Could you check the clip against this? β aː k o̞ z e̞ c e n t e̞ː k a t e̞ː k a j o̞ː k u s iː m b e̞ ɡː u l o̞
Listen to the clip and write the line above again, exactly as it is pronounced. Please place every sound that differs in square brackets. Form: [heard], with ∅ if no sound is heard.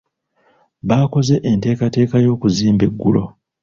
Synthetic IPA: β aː k o̞ z e̞ [ʔ] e n t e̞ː k a t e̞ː k a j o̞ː k u [z] iː m b e̞ ɡː u l o̞